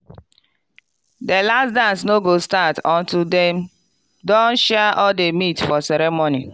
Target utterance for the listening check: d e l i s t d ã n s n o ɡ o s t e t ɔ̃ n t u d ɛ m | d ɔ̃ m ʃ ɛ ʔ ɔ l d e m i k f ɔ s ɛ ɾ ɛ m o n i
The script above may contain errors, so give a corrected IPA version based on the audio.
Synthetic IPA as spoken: d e l a s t d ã n s n o ɡ o s t a t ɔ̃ n t u d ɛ m | d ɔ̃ n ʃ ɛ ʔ ɔ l d e m i t f ɔ s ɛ ɾ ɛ m o n i